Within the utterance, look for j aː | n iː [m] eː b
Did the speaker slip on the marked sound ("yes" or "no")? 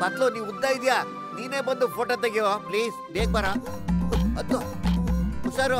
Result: yes